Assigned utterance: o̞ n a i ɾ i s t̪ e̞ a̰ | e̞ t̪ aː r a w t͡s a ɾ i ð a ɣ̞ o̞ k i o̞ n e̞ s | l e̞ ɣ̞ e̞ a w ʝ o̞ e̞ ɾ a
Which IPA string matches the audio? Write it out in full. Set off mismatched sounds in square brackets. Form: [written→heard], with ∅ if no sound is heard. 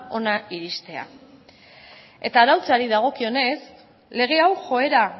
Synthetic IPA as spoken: o̞ n a i ɾ i s t̪ e̞ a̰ | e̞ t̪ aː [r→ɾ] a w t͡s a ɾ i ð a ɣ̞ o̞ k i o̞ n e̞ s | l e̞ ɣ̞ e̞ a w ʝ o̞ e̞ ɾ a

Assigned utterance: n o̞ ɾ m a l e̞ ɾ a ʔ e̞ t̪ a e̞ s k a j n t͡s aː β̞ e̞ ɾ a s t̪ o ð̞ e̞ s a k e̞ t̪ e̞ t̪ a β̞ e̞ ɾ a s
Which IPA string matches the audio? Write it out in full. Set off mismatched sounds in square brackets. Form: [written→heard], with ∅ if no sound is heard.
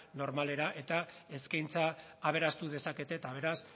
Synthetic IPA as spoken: n o̞ ɾ m a l e̞ ɾ a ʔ e̞ t̪ a e̞ s k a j n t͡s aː β̞ e̞ ɾ a s t̪ [o→u] ð̞ e̞ s a k e̞ t̪ e̞ t̪ a β̞ e̞ ɾ a s

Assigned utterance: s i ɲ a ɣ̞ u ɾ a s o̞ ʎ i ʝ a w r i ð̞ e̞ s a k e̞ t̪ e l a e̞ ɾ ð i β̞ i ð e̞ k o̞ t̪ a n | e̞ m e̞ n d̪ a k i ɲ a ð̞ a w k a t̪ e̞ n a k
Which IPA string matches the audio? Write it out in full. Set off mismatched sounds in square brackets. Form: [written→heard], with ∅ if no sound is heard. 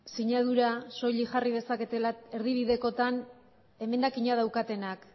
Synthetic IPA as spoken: s i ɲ a [ɣ̞→ð̞] u ɾ a s o̞ ʎ i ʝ a [w→∅] r i ð̞ e̞ s a k e̞ t̪ e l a e̞ ɾ ð i β̞ i ð e̞ k o̞ t̪ a n | e̞ m e̞ n d̪ a k i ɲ a ð̞ a w k a t̪ e̞ n a k

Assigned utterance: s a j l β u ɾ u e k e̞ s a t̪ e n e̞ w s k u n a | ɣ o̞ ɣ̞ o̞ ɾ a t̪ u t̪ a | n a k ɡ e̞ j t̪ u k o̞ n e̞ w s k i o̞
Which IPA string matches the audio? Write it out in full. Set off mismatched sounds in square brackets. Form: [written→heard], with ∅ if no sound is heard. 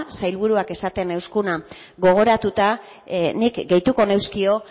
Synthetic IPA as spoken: s a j l β u ɾ u [e→a] k e̞ s a t̪ e n e̞ w s k u n a | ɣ o̞ ɣ̞ o̞ ɾ a t̪ u t̪ a | n [a→i] k ɡ e̞ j t̪ u k o̞ n e̞ w s k i o̞

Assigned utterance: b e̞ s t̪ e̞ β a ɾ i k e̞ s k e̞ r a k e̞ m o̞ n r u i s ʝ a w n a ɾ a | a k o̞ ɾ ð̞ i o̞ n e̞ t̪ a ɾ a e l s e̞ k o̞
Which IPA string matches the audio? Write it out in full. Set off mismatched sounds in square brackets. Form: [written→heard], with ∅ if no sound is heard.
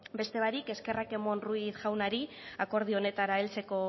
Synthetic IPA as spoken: b e̞ s t̪ e̞ β a ɾ i k e̞ s k e̞ r a k e̞ m o̞ n r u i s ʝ a w n a ɾ [a→i] | a k o̞ ɾ ð̞ i o̞ n e̞ t̪ a ɾ a e l [s→t͡s] e̞ k o̞

